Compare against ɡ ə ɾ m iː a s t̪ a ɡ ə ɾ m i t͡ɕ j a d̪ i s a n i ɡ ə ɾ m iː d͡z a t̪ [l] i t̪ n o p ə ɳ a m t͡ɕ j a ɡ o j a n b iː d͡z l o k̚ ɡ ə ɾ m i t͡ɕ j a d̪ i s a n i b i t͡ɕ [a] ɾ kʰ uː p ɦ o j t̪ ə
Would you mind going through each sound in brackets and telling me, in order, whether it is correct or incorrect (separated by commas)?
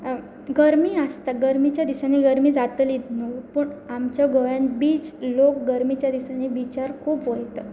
correct, correct